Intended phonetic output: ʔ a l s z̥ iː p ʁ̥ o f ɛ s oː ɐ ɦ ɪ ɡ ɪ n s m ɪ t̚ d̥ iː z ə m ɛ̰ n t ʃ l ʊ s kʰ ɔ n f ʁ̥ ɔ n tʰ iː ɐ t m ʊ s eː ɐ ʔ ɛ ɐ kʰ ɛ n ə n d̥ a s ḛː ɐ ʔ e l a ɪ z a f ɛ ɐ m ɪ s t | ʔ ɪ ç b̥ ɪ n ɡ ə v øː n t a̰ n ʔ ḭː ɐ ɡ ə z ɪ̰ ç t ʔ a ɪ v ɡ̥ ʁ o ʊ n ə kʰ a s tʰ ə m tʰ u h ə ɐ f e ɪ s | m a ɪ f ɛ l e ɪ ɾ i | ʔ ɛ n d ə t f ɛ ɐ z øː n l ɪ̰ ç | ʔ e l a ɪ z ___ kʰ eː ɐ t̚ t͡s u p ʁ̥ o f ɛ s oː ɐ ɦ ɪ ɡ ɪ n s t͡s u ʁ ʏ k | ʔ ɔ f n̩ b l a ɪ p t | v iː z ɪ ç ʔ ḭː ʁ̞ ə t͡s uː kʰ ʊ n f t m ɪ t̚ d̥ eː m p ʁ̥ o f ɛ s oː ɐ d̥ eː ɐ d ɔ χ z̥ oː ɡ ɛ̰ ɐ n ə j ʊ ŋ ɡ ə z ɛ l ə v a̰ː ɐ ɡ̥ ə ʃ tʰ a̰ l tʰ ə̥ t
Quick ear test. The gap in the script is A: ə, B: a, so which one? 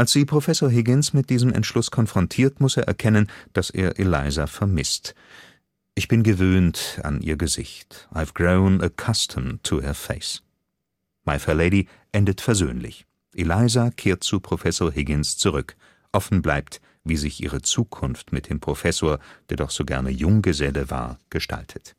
B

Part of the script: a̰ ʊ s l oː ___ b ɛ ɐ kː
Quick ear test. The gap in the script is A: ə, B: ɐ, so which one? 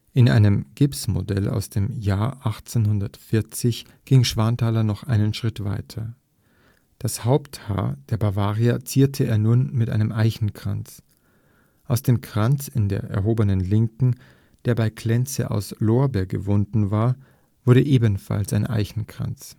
B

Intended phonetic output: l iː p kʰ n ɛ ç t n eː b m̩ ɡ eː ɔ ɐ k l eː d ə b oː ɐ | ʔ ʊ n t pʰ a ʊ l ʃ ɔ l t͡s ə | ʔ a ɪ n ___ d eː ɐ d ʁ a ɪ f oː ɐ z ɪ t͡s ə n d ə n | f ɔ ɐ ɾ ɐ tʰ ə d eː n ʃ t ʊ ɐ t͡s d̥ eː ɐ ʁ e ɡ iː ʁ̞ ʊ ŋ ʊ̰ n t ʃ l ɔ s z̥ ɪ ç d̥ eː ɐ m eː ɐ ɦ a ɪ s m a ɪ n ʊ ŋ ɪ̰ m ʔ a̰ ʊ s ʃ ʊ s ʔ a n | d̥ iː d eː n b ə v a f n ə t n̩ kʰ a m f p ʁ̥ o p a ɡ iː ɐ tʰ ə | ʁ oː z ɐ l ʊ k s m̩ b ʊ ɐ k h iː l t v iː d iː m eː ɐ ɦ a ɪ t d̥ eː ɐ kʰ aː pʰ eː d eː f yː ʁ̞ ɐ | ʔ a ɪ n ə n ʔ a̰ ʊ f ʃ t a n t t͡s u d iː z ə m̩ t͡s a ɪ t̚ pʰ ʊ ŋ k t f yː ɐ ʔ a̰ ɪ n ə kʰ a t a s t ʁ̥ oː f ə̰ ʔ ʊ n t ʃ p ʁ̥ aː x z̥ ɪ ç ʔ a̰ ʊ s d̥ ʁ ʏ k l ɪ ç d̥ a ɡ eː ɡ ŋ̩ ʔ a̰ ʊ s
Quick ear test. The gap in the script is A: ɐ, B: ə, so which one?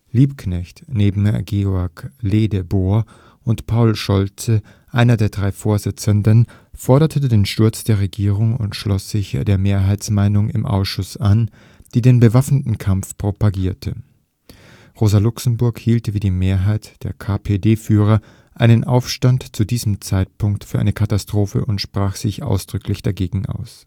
A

